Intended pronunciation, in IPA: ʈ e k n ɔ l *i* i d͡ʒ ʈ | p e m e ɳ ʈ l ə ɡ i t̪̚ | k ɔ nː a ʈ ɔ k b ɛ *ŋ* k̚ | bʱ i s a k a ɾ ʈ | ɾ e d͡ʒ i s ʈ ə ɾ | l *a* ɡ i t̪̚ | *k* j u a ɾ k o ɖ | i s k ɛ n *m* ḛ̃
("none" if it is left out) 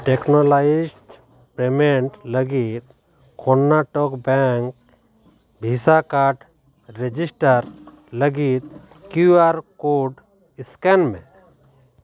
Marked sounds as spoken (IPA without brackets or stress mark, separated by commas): a, ŋ, ə, k, m